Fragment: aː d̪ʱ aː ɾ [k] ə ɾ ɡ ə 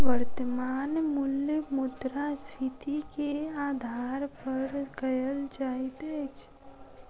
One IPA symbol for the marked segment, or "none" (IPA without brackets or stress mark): p